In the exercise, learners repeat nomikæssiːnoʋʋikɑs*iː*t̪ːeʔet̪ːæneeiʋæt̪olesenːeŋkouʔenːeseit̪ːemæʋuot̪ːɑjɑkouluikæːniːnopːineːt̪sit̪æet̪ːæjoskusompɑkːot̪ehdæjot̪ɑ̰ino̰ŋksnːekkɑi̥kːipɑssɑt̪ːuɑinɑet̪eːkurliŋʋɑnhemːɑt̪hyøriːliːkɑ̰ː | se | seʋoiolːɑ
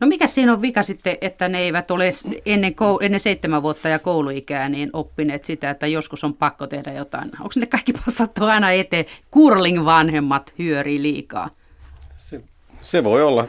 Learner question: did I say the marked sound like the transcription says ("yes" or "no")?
no